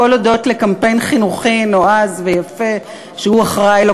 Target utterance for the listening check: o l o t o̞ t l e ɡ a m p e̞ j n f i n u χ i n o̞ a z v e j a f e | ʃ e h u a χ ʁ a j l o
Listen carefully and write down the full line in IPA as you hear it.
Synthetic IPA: o l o d o̞ t l e k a m p e̞ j n χ i n u χ i n o̞ a z v e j a f e | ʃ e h u a χ ʁ a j l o